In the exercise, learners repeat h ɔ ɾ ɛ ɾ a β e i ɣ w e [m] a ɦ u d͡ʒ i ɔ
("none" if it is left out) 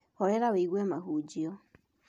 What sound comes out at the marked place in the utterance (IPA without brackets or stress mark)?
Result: m